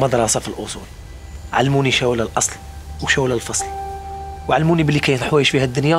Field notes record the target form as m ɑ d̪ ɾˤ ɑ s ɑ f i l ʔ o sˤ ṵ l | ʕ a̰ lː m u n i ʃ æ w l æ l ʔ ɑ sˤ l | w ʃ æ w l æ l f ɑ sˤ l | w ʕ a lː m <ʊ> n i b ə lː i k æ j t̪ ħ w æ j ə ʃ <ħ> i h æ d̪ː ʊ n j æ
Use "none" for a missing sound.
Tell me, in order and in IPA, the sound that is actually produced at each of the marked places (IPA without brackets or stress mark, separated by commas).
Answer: u, f